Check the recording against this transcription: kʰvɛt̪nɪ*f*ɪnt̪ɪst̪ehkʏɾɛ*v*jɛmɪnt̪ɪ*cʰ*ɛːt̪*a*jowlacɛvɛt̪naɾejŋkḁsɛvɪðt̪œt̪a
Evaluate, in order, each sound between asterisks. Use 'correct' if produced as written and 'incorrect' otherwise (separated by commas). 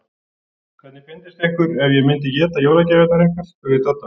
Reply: correct, correct, incorrect, correct